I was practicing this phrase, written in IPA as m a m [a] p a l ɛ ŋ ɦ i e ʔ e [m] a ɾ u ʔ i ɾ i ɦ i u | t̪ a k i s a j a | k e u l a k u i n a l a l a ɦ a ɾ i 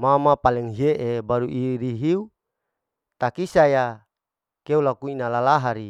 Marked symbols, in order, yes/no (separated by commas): yes, no